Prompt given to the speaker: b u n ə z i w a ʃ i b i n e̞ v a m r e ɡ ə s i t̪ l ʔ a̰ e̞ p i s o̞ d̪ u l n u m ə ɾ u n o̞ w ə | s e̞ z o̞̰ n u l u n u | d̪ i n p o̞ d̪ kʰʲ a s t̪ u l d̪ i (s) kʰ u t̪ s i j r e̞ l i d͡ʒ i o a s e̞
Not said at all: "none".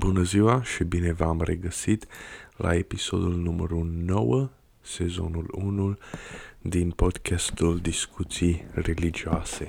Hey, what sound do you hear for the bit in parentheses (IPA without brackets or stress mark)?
s